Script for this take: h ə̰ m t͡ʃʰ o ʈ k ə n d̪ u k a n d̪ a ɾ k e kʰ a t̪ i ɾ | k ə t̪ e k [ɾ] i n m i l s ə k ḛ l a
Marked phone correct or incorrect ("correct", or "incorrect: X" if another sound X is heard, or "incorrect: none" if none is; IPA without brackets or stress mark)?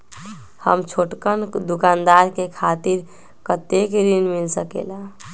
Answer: correct